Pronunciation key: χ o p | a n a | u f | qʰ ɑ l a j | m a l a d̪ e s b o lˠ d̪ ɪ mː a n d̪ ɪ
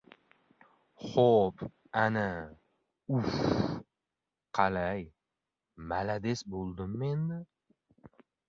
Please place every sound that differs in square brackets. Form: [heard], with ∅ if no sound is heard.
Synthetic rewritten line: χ o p | a n a | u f | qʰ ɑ l a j | m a l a d̪ e s b o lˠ d̪ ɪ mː [e] n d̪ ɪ